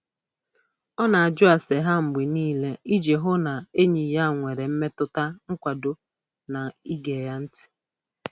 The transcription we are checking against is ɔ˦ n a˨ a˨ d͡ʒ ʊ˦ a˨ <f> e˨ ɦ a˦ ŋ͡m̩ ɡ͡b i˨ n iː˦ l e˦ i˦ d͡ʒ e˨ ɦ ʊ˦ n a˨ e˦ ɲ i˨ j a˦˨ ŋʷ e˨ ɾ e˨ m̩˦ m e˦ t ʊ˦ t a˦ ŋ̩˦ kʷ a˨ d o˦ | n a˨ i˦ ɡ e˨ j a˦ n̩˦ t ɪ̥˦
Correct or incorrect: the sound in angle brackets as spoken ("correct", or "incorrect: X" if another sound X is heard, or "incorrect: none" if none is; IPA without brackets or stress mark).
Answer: incorrect: s